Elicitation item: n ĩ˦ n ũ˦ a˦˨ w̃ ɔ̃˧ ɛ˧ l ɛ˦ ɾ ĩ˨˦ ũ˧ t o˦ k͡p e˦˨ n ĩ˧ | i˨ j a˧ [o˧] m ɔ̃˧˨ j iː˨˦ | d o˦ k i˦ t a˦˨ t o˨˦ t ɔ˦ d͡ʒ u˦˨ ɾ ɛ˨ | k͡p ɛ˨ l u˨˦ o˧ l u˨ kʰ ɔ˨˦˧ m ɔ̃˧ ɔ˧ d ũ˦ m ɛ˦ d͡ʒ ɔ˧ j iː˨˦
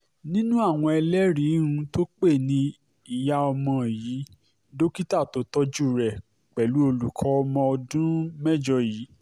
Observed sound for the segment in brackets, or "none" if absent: ɔ˧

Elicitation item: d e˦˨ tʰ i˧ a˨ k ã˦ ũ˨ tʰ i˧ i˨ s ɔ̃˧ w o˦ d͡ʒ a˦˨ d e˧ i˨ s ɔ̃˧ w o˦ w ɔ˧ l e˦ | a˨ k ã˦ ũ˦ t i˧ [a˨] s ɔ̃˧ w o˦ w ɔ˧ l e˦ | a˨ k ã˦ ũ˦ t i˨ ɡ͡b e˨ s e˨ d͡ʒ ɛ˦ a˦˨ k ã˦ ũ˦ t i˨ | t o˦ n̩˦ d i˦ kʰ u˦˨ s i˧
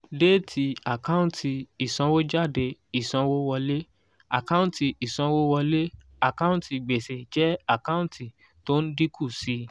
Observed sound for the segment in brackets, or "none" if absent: i˨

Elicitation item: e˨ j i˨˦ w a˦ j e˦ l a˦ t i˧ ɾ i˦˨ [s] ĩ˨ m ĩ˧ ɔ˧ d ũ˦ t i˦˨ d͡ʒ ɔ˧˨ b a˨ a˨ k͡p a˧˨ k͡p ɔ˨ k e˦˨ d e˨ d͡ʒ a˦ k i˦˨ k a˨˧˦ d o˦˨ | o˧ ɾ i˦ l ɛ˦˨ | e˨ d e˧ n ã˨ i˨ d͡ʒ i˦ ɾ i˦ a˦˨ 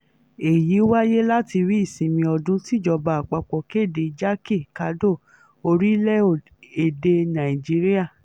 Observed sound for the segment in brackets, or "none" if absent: s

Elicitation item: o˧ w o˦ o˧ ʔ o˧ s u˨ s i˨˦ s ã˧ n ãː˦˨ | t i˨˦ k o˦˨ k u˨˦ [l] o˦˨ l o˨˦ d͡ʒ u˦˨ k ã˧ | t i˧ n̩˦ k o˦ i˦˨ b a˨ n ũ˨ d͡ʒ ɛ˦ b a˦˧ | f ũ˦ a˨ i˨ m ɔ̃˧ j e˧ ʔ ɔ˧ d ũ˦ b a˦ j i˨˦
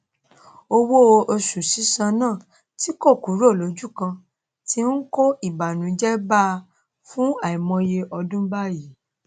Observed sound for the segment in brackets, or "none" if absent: ɾ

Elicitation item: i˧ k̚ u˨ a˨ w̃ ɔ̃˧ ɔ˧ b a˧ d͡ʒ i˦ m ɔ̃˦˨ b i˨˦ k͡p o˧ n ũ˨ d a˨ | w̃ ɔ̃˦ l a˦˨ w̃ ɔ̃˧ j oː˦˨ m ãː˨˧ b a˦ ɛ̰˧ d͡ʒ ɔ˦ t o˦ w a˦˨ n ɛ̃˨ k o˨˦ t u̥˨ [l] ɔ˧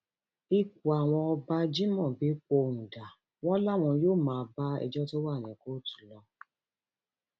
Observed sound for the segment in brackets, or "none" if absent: l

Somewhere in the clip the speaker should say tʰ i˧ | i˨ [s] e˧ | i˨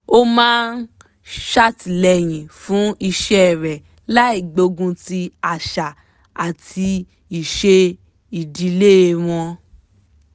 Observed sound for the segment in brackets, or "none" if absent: ʃ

